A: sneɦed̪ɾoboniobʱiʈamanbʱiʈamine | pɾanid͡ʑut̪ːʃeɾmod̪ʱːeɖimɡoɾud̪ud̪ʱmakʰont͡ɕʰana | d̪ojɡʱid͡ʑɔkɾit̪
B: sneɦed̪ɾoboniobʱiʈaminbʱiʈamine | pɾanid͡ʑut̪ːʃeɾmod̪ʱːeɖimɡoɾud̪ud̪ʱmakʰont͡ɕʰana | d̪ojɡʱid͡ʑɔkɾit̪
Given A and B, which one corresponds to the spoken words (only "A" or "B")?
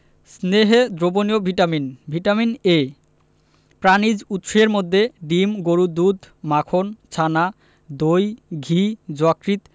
B